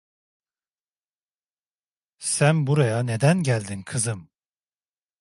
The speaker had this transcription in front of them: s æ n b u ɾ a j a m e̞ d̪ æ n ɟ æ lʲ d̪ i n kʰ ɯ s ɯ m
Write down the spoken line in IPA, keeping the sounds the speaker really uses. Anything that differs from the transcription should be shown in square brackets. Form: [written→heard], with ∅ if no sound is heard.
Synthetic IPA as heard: s æ n b u ɾ a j a [m→n] e̞ d̪ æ n ɟ æ lʲ d̪ i n kʰ ɯ [s→z] ɯ m